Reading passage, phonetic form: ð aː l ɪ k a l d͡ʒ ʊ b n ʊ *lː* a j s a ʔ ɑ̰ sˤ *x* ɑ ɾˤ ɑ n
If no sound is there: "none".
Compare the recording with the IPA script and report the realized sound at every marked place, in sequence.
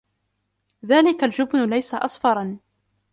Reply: l, f

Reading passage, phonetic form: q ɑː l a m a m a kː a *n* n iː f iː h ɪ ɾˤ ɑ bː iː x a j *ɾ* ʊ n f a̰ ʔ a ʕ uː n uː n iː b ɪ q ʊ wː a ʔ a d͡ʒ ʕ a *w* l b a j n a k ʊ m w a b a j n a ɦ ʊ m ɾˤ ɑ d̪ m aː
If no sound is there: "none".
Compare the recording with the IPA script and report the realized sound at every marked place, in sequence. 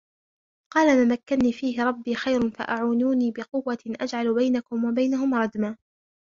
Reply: n, ɾ, none

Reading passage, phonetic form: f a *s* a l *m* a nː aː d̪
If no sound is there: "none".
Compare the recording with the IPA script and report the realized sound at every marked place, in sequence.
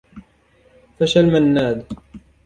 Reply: ʃ, m

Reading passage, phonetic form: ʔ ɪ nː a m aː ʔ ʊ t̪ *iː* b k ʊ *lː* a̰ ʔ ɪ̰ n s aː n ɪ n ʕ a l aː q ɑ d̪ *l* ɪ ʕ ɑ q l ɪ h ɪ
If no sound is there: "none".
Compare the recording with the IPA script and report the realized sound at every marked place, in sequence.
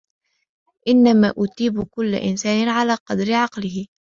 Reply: iː, lː, ɾ

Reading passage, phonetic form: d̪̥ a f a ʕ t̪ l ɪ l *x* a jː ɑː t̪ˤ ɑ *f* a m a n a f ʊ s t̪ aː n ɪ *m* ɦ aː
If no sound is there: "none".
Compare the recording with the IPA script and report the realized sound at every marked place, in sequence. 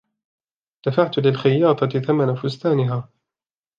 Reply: x, θ, none

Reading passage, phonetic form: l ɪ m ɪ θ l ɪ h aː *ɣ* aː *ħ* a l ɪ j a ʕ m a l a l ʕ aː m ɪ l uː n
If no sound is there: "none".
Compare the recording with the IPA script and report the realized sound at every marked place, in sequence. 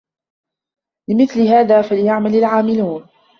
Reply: ð, f

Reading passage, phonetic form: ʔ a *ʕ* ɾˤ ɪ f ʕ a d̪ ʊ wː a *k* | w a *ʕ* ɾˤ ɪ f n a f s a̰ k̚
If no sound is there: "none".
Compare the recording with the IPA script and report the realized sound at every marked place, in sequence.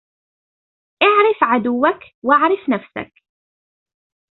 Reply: ʕ, k, ʕ

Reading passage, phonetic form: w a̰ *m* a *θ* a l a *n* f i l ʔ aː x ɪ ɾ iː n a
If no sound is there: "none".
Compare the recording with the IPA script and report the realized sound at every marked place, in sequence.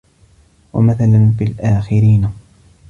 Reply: m, θ, n

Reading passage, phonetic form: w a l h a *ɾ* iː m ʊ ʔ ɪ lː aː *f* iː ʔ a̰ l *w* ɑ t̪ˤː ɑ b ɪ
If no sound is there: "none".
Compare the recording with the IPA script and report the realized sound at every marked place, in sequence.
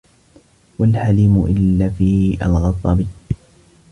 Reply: l, f, ɣ

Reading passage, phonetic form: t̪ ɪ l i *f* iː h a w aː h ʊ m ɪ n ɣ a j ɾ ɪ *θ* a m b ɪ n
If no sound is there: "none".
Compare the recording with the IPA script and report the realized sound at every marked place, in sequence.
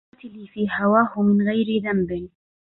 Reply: f, ð

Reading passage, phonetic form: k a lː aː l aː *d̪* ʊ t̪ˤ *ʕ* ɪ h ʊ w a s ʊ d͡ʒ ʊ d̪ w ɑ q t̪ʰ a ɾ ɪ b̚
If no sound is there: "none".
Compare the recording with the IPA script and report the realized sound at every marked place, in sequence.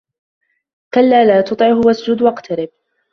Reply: t̪, ʕ

